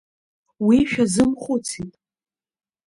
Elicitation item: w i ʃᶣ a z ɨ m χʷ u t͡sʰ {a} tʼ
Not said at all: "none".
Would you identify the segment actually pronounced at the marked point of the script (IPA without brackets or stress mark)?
i